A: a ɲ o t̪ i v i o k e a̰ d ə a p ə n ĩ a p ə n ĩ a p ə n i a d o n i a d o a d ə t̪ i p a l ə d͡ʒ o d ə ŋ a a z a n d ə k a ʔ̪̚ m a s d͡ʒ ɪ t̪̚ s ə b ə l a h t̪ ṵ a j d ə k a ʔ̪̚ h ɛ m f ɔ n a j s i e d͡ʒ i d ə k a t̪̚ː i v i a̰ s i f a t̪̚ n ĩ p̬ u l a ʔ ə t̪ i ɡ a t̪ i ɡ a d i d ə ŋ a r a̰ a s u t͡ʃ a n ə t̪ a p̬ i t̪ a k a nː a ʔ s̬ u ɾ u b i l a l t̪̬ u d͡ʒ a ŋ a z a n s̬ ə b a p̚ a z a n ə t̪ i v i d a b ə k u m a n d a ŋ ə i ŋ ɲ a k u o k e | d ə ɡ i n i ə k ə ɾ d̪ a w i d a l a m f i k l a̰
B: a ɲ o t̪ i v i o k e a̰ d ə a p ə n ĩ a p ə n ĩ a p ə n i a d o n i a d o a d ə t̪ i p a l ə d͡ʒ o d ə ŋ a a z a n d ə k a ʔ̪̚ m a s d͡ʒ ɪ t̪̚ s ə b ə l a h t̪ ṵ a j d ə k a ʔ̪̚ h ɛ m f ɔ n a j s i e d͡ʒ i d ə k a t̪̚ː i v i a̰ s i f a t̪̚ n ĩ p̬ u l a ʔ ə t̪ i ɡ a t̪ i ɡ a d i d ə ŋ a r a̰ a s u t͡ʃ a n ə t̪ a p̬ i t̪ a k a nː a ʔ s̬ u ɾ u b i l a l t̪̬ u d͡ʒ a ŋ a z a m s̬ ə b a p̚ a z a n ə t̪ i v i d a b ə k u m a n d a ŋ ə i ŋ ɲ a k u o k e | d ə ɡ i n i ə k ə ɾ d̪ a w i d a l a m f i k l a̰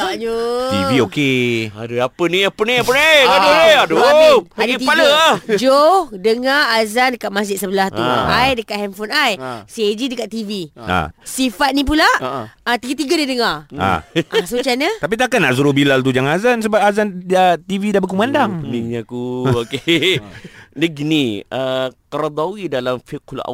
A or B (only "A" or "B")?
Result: A